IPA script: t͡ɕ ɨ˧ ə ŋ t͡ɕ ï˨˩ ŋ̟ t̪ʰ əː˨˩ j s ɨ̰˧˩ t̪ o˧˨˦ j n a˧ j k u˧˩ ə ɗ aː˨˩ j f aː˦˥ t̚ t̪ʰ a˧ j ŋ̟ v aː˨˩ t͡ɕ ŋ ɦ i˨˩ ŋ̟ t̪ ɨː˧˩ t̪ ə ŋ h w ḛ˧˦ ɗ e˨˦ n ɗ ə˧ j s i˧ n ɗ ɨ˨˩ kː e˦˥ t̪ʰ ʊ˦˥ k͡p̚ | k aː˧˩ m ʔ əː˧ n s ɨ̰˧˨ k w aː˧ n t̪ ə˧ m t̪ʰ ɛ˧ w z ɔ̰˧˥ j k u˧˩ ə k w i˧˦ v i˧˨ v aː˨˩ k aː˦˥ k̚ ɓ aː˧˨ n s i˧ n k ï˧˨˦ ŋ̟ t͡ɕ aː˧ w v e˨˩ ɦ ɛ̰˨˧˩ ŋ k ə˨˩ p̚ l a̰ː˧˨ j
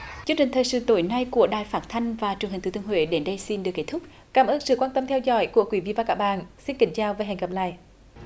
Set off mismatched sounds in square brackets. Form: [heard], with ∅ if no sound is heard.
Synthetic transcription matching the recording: t͡ɕ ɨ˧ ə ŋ t͡ɕ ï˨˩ ŋ̟ t̪ʰ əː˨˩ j s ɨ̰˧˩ t̪ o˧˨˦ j n a˧ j k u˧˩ ə ɗ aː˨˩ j f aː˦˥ t̚ t̪ʰ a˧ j ŋ̟ v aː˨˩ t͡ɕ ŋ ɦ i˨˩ ŋ̟ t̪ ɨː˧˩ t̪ ə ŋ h w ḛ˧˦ ɗ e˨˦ n ɗ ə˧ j s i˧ n ɗ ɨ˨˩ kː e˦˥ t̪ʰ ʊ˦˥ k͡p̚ | k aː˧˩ m ʔ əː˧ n s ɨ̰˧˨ k w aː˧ n t̪ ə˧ m t̪ʰ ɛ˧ w z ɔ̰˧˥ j k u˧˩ ə k w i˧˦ v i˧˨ v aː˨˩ k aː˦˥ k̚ ɓ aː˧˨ n s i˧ n k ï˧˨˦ ŋ̟ t͡ɕ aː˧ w v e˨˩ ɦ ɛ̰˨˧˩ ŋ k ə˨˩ p̚ l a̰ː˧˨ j